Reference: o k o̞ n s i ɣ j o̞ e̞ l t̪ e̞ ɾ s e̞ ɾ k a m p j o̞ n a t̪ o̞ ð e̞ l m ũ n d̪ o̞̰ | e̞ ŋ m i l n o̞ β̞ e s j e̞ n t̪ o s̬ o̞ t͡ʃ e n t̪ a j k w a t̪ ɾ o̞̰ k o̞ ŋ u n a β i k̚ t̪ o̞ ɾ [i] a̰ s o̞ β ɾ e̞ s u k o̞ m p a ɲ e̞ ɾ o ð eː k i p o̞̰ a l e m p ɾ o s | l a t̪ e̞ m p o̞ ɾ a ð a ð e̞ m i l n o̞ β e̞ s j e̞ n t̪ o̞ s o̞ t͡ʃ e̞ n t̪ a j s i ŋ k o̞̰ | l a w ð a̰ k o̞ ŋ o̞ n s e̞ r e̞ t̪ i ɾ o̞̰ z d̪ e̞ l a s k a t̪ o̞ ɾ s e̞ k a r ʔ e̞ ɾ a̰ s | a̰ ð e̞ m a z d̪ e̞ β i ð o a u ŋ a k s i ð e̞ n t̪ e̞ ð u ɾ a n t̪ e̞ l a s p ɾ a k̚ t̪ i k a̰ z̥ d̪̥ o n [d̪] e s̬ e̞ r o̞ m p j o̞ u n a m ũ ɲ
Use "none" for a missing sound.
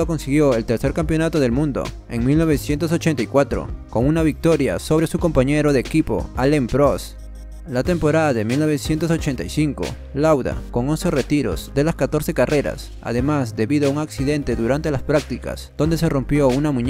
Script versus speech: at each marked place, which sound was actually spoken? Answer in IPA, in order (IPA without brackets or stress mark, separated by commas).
j, d̪